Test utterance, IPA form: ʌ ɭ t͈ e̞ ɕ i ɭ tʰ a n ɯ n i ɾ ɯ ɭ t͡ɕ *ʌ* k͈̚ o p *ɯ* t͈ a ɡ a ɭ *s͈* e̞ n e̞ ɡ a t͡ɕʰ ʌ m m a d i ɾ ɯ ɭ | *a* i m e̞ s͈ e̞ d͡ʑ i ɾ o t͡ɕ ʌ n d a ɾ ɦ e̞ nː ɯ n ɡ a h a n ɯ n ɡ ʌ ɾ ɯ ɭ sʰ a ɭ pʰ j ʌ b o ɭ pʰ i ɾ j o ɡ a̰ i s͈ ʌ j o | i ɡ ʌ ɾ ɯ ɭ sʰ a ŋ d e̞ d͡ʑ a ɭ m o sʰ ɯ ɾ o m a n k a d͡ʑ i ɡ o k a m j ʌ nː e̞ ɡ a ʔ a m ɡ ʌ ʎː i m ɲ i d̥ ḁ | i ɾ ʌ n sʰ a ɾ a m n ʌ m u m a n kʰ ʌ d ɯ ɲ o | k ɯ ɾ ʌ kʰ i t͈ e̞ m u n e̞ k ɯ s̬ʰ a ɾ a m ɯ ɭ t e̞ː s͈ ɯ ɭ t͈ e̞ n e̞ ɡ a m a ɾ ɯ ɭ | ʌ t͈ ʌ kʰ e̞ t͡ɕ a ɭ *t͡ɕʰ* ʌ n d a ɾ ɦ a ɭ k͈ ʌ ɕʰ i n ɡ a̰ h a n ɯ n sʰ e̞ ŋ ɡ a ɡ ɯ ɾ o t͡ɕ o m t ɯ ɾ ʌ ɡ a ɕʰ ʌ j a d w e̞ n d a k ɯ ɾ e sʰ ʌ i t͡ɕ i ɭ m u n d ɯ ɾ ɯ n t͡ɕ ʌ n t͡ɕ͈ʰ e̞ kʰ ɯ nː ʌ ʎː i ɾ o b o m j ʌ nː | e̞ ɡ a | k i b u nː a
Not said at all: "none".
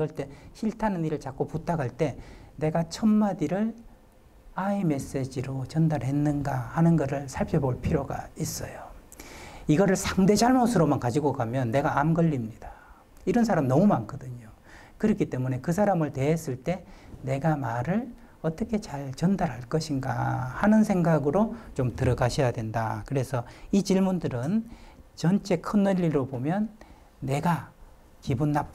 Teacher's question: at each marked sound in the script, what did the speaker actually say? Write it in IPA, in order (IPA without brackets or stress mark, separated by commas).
a, u, t͈, a, t͡ɕ